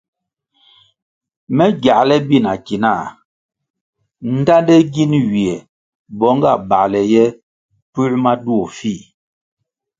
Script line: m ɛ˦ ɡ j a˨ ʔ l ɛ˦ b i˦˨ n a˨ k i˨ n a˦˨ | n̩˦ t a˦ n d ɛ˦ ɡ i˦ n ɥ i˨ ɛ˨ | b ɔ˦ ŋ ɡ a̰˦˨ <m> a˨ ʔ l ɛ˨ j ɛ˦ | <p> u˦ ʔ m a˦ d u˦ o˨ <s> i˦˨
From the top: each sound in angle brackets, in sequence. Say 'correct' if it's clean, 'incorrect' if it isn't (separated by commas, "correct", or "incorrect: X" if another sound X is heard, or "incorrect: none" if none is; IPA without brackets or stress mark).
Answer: incorrect: b, correct, incorrect: f